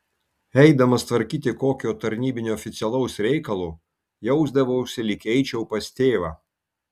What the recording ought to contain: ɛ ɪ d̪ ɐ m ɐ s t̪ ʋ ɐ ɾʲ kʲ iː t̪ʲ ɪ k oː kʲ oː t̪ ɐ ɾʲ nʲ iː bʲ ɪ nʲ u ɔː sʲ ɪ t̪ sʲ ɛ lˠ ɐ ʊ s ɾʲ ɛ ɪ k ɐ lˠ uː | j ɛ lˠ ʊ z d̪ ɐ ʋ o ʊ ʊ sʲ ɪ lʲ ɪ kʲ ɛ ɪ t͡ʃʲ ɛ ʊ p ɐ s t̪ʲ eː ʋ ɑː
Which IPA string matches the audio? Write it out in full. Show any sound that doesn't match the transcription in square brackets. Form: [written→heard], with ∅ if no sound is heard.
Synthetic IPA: ɛ ɪ d̪ ɐ m ɐ s t̪ ʋ ɐ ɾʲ kʲ iː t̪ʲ ɪ k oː kʲ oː t̪ ɐ ɾʲ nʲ iː bʲ ɪ nʲ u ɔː [sʲ→fʲ] ɪ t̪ sʲ ɛ lˠ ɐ ʊ s ɾʲ ɛ ɪ k ɐ lˠ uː | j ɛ [lˠ→∅] ʊ z d̪ ɐ ʋ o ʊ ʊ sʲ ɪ lʲ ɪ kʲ ɛ ɪ t͡ʃʲ ɛ ʊ p ɐ s t̪ʲ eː ʋ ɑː